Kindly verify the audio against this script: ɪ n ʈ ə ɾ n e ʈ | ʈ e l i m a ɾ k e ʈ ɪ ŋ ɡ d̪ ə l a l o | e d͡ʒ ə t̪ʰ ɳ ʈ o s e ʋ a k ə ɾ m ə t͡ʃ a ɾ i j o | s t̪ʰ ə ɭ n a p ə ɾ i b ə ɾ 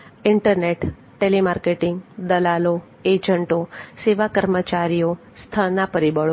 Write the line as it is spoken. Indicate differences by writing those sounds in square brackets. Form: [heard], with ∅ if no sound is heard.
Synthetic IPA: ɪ [ɳ] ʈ ə ɾ n e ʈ | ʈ e l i m a ɾ k e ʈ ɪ ŋ ɡ d̪ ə l a l o | e d͡ʒ ə [∅] ɳ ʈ o s e ʋ a k ə ɾ m ə t͡ʃ a ɾ i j o | s t̪ʰ ə ɭ n a p ə ɾ i b ə [ɭ]